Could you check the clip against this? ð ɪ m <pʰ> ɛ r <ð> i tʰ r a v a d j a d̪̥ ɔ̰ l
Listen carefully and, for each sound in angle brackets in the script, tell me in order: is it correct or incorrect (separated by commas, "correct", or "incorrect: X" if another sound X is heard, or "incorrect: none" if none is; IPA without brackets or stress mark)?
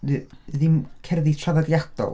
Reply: incorrect: kʰ, correct